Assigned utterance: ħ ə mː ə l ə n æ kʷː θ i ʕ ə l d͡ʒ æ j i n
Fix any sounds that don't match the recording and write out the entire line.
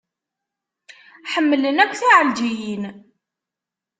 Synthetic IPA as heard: ħ ə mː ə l ə n æ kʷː θ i ʕ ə l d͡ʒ i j i n